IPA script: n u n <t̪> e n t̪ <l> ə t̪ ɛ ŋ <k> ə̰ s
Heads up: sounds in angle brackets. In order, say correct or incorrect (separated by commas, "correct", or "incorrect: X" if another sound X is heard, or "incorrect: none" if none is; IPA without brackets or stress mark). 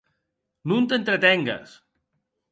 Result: correct, incorrect: ɾ, incorrect: ɡ